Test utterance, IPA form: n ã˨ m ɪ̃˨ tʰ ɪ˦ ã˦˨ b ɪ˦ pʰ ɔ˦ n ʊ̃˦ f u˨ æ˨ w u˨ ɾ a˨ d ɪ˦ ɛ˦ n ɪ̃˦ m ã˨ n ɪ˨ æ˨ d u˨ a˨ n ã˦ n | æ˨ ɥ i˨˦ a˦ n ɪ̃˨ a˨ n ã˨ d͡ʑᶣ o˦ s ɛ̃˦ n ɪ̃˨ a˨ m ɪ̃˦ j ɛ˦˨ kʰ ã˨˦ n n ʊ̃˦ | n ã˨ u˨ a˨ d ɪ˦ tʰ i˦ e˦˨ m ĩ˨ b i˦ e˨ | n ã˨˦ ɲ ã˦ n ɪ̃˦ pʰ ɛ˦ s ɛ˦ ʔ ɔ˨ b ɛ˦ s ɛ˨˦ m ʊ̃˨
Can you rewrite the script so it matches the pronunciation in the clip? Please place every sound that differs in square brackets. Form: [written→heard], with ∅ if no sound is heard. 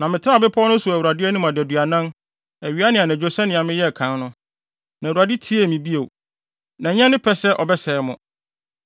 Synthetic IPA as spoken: n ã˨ m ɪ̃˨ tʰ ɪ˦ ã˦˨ b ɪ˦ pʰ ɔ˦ n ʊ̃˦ [f→s] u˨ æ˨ w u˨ ɾ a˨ d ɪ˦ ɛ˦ n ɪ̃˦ m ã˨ [n→d] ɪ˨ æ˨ d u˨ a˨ n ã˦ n | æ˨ ɥ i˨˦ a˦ n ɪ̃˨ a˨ n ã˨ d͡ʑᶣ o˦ s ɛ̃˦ n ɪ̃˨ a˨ m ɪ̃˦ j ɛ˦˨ kʰ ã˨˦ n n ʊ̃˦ | n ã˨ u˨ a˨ d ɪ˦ tʰ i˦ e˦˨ m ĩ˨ b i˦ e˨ | n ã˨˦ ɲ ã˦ n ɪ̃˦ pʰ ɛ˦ s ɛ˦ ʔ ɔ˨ b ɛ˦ s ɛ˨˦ m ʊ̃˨